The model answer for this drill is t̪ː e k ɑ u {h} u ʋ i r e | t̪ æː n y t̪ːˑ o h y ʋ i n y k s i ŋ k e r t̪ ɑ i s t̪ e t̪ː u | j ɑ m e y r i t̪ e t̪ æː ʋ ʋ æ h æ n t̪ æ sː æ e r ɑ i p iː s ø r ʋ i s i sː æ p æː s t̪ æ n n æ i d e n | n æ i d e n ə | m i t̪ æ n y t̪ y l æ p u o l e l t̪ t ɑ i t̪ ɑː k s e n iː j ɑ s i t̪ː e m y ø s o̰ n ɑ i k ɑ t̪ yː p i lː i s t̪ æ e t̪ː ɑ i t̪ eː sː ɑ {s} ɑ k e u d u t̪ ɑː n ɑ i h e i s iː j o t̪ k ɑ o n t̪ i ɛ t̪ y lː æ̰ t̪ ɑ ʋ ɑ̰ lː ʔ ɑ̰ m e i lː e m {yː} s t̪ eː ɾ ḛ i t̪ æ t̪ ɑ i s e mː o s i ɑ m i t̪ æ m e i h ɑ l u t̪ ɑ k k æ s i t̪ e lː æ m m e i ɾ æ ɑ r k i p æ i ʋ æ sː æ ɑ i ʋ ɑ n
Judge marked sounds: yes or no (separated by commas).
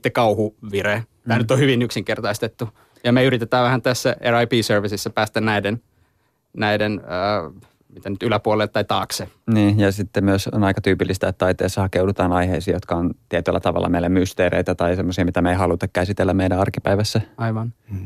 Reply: yes, no, no